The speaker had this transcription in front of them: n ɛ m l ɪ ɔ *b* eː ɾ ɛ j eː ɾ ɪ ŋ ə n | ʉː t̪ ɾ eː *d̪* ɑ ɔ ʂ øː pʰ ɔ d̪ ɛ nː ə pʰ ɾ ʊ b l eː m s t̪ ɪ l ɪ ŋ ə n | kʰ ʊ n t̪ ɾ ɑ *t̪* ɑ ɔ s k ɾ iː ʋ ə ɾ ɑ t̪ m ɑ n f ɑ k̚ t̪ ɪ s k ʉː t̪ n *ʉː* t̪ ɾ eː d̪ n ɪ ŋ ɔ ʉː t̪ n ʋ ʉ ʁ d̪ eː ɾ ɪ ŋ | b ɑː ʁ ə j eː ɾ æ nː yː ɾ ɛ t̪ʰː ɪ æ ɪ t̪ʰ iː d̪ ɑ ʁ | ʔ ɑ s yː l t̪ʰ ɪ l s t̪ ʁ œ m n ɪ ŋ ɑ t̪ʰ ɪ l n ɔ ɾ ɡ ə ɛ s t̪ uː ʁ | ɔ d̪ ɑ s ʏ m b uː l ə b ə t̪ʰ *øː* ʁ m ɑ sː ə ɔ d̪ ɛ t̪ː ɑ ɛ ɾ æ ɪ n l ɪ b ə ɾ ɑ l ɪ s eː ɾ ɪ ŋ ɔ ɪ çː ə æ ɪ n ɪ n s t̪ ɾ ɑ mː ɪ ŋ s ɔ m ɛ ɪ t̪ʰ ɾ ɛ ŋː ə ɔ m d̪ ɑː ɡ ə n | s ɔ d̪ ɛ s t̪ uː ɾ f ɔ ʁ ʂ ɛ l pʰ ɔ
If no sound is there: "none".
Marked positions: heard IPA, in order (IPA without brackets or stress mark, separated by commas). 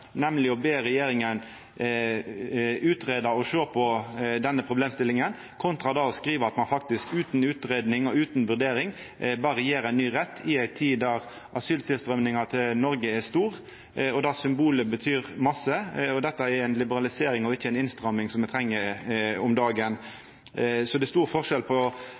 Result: b, d̪, d̪, ʉː, yː